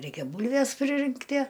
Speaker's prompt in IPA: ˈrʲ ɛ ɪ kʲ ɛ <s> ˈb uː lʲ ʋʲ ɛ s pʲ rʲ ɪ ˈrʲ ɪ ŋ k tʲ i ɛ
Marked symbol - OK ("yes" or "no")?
no